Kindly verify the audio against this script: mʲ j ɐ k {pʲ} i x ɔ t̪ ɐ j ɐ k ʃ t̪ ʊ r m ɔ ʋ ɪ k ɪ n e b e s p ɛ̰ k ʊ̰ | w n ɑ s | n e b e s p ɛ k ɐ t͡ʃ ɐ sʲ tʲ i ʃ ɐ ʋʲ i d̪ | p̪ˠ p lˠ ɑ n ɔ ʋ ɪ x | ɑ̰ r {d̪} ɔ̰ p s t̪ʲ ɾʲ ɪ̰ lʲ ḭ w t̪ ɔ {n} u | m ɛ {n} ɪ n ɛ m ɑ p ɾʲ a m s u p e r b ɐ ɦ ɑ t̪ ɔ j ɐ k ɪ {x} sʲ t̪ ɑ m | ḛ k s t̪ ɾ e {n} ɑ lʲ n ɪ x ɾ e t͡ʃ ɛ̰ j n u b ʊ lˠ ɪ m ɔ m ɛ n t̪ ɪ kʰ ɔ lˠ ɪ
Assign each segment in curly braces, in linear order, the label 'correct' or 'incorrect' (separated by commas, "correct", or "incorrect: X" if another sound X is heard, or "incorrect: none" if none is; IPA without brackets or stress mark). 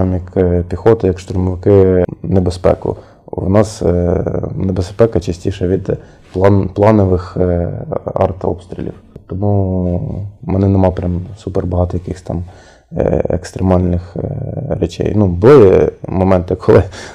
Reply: correct, incorrect: t̪, incorrect: m, correct, correct, incorrect: m